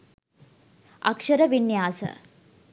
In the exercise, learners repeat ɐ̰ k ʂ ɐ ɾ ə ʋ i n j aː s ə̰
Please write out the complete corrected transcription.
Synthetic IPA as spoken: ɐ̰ k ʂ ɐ ɾ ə ʋ i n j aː s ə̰